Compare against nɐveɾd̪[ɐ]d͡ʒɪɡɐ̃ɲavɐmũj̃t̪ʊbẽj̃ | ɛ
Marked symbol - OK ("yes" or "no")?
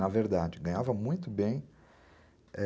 no